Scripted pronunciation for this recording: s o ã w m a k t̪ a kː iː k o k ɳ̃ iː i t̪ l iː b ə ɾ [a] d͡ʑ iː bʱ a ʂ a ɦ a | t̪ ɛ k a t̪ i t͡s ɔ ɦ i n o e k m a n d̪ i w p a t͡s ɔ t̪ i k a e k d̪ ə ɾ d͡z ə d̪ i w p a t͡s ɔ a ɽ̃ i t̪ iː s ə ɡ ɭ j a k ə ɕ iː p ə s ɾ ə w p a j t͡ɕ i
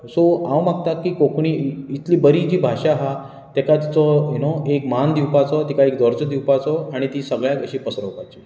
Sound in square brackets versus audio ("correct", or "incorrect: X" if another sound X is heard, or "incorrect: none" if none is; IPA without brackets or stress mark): incorrect: i